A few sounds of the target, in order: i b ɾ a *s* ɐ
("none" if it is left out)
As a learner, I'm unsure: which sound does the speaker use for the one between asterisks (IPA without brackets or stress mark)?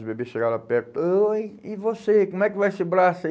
s